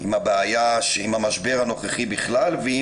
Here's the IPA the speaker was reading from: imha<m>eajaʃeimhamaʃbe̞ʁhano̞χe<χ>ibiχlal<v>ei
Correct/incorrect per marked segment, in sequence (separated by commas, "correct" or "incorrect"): incorrect, correct, correct